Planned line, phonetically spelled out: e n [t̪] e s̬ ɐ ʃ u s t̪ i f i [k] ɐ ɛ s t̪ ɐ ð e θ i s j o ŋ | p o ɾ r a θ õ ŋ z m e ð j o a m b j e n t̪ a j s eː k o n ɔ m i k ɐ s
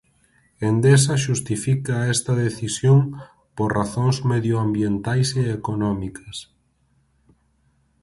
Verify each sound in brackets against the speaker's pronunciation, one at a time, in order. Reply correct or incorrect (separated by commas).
incorrect, correct